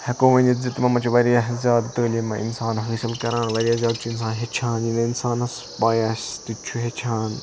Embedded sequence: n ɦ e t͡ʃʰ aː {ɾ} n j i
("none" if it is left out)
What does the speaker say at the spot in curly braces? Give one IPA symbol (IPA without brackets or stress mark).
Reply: none